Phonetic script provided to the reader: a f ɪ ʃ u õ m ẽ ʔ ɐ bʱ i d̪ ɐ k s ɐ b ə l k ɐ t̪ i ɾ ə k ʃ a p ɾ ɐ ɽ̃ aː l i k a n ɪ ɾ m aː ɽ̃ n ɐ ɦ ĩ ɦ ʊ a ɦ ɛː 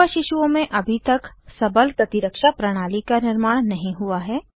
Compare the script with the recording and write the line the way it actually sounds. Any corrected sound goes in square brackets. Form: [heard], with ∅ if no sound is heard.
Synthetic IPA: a [ʃ] ɪ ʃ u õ m ẽ ʔ ɐ bʱ i [t̪] ɐ k s ɐ b ə l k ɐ t̪ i ɾ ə k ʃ a p ɾ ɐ ɽ̃ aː l i k a n ɪ ɾ m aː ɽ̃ n ɐ ɦ ĩ ɦ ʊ a ɦ ɛː